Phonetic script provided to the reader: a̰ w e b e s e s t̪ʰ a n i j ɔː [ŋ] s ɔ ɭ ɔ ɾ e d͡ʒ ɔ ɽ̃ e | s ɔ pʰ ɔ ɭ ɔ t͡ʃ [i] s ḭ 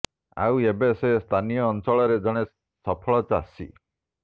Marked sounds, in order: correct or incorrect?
incorrect: n, incorrect: a

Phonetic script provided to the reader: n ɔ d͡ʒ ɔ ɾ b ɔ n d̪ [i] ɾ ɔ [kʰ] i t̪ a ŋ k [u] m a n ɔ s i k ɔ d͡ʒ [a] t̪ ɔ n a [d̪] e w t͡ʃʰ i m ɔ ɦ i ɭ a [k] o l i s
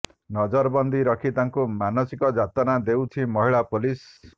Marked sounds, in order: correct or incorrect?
correct, correct, correct, correct, correct, incorrect: p

